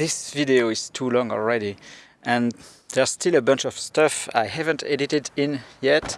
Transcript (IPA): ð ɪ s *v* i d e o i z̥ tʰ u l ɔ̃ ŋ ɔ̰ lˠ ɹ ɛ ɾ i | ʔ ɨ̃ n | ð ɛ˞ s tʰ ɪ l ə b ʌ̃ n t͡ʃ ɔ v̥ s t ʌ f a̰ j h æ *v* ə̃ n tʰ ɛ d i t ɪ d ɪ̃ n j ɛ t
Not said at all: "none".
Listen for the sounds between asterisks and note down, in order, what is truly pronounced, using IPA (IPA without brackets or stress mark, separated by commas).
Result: v, v